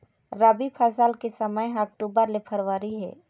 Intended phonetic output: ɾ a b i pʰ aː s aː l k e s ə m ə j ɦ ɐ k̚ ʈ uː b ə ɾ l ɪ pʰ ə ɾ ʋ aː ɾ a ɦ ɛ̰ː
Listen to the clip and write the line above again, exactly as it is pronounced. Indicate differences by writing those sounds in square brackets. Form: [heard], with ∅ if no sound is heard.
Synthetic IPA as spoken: ɾ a b i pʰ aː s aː l k e s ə m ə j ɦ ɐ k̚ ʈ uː b ə ɾ l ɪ pʰ ə ɾ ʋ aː ɾ [i] ɦ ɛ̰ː